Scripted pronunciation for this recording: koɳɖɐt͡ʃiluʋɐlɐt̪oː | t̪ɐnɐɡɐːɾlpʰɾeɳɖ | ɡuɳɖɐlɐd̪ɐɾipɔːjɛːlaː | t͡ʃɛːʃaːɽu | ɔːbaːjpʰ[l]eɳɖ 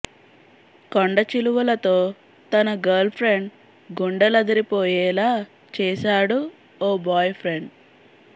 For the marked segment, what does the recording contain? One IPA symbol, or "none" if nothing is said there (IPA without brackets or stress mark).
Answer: ɾ